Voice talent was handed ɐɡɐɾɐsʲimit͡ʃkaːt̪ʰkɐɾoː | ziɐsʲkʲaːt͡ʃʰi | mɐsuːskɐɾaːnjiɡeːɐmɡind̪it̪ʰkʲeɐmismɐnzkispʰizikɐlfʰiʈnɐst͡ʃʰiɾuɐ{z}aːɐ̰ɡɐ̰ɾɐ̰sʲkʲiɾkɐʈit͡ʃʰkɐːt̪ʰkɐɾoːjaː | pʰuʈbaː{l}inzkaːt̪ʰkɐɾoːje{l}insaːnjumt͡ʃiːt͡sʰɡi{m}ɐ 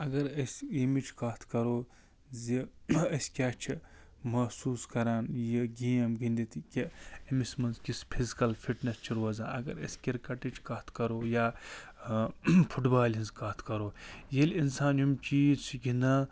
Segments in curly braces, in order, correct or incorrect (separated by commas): correct, correct, correct, incorrect